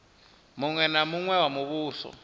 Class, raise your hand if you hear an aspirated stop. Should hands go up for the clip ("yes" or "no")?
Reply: no